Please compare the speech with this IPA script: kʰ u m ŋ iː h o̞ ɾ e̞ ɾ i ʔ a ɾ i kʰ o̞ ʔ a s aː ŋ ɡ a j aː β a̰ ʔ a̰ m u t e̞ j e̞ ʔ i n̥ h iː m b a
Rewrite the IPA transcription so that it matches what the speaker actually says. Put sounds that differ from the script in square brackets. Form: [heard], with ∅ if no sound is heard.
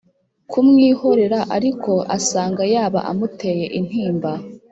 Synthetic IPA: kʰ u m ŋ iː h o̞ ɾ e̞ ɾ [a] ʔ a ɾ i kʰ o̞ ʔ a s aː ŋ ɡ a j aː β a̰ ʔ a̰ m u t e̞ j e̞ ʔ i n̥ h iː m b a